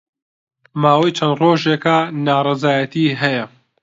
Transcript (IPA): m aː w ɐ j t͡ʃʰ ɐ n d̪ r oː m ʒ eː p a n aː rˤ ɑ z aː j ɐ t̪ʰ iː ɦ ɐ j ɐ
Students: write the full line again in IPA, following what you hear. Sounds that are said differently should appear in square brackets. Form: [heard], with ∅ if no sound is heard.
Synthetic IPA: m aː w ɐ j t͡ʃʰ ɐ n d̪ r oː [∅] ʒ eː [k] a n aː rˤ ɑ z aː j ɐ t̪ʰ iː ɦ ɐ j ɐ